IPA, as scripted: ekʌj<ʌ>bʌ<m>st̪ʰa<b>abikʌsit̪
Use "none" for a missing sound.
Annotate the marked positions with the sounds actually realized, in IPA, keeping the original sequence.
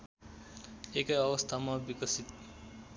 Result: ʌ, none, m

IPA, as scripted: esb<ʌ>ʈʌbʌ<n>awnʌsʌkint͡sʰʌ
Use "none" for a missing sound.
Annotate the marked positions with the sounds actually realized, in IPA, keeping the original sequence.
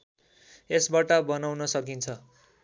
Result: a, n

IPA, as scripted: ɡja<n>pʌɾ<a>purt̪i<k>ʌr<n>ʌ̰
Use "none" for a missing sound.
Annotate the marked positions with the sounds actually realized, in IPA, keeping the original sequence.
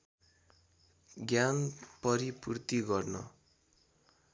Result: n, i, ɡ, n

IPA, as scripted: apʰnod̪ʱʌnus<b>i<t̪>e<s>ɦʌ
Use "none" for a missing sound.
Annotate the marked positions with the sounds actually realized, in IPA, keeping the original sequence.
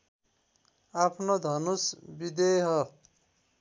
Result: b, d̪, none

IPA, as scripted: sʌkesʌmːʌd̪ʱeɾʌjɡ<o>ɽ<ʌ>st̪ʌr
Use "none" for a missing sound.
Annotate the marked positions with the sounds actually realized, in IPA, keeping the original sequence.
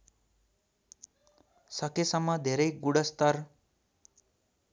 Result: u, ʌ

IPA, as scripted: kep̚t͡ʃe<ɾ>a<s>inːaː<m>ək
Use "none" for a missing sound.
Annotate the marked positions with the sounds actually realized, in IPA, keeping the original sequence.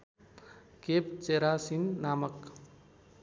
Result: ɾ, s, m

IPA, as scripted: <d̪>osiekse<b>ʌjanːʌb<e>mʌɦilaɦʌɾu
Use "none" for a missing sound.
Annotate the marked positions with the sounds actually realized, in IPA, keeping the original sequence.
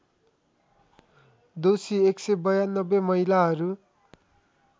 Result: d̪, b, e

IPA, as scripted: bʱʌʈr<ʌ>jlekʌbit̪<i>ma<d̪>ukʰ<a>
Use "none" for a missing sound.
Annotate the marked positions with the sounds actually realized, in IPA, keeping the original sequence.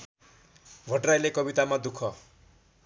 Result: a, a, d̪, ʌ

